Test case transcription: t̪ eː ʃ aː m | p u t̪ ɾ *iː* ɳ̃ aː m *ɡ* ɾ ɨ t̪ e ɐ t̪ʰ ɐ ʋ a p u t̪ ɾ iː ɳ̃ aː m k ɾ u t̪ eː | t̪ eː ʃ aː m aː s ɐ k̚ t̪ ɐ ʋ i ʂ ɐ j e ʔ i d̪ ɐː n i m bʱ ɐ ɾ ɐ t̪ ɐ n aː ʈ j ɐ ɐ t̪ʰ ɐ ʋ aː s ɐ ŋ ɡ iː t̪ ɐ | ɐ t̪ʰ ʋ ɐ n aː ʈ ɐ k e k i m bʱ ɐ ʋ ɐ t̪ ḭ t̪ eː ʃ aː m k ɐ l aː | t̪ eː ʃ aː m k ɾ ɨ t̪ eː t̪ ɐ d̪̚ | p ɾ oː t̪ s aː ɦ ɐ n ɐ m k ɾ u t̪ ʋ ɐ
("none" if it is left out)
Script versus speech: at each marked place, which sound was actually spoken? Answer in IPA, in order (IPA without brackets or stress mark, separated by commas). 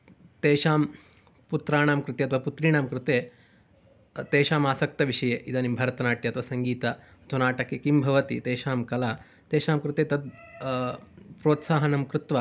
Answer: aː, k